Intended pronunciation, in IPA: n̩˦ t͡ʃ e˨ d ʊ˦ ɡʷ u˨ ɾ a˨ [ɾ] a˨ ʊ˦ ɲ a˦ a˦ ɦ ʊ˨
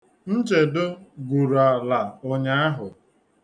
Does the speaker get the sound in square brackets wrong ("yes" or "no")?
yes